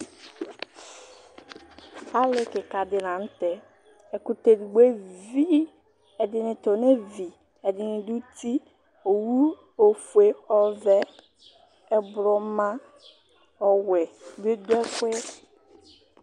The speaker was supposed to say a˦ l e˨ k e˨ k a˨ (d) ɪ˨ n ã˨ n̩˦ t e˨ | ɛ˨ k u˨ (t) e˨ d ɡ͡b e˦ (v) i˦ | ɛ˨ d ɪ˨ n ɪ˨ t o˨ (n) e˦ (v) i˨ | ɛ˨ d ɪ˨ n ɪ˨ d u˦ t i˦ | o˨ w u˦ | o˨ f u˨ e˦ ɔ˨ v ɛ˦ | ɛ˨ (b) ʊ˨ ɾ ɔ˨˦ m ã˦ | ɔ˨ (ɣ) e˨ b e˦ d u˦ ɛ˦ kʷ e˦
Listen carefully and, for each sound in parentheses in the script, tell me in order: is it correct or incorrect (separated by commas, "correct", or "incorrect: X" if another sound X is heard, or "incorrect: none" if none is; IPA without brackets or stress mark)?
correct, correct, correct, correct, correct, correct, incorrect: w